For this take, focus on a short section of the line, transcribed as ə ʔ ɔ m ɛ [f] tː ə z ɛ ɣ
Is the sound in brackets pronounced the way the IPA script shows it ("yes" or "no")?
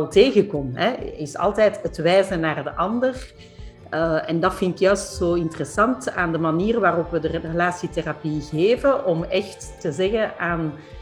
no